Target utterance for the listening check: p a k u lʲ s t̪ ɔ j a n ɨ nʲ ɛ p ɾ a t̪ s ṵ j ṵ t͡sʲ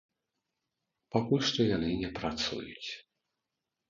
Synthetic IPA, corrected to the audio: p a k u lʲ ʂ t̪ ɔ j a n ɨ nʲ ɛ p ɾ a t̪ s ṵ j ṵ t͡sʲ